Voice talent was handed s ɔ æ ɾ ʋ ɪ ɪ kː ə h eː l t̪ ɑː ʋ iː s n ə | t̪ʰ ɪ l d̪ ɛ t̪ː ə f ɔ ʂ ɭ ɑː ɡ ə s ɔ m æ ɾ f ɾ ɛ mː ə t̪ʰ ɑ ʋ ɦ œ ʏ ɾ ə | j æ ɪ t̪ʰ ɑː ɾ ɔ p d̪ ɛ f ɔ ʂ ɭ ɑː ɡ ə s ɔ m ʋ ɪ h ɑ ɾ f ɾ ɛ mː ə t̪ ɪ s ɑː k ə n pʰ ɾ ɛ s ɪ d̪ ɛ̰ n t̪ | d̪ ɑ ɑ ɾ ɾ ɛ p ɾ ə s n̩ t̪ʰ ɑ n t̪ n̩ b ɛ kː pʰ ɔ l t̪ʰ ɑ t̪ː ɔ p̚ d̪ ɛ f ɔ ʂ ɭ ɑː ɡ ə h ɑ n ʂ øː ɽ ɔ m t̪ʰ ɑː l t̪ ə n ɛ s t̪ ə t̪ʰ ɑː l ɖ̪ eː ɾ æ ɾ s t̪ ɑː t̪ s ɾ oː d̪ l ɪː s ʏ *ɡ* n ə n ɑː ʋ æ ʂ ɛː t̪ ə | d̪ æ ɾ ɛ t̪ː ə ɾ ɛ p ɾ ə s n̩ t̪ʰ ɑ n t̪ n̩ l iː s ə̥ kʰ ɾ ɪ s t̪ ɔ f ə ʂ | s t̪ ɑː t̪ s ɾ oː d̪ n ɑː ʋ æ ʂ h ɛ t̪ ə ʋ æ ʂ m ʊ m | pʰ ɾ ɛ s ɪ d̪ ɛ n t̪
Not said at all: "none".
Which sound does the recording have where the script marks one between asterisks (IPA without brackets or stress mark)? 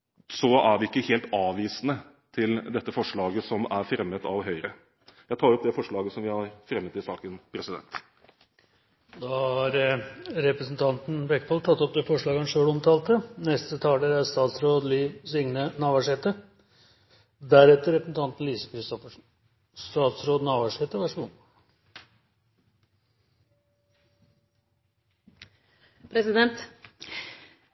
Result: ŋ